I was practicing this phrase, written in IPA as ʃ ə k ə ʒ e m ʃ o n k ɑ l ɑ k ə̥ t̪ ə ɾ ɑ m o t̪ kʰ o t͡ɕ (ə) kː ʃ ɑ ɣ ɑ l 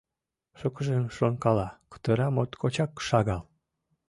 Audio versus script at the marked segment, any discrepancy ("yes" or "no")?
yes